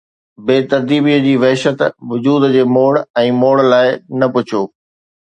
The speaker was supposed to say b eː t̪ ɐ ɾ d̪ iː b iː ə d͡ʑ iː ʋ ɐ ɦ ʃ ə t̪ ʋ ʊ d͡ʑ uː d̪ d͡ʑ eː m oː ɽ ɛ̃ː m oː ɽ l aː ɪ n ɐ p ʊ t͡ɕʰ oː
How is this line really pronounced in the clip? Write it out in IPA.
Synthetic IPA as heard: b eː t̪ ɐ ɾ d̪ iː b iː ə d͡ʑ iː ʋ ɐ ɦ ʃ ə t̪ ʋ ʊ d͡ʑ uː d̪ d͡ʑ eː m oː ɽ ɛ̃ː m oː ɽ l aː ɪ n ɐ p ʊ t͡ɕʰ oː